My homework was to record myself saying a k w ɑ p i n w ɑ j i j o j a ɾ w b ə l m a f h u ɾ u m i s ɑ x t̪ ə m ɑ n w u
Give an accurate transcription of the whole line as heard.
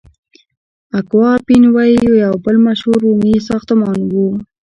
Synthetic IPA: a k w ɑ p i n w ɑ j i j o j a w b ə l m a ʃ h u ɾ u m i s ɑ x t̪ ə m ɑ n w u